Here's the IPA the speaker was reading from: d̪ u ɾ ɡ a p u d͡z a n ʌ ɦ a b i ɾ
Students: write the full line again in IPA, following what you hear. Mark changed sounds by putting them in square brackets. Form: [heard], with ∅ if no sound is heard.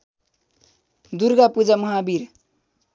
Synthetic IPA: d̪ u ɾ ɡ a p u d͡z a [m] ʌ ɦ a b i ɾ